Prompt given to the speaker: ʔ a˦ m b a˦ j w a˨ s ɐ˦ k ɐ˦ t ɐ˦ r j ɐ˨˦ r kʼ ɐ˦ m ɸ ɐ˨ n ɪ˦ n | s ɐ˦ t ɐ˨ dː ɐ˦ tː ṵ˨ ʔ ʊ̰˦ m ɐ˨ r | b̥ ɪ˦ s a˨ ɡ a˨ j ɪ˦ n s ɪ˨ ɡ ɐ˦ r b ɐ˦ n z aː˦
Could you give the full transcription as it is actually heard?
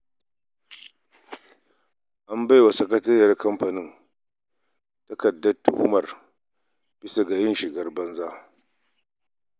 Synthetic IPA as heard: ʔ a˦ m b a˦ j w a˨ s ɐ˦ k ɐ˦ t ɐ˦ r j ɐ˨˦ r k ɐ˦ m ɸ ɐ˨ n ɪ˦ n | t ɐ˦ k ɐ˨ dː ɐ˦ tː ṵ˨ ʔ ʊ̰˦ m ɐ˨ r | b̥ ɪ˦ s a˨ ɡ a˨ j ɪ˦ n ʃ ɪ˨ ɡ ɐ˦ r b ɐ˦ n z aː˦